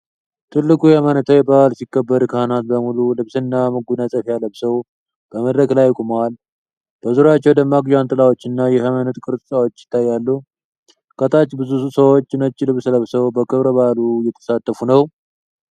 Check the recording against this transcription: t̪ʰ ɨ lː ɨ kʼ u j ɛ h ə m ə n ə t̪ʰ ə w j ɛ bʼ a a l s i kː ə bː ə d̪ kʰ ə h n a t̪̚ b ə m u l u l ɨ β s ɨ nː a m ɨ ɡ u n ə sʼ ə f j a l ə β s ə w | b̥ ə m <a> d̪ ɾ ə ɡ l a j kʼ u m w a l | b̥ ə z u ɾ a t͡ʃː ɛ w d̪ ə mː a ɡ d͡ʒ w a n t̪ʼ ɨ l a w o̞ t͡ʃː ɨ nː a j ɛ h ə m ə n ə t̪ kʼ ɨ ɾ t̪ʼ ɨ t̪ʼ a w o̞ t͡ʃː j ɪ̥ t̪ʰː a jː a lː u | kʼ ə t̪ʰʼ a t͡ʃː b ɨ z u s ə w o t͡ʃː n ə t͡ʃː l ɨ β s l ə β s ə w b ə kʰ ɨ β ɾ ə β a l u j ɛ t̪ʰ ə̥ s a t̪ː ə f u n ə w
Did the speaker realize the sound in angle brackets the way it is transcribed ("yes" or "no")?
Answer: no